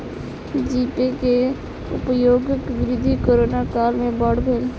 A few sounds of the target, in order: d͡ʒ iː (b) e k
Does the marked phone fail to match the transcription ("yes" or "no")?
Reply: yes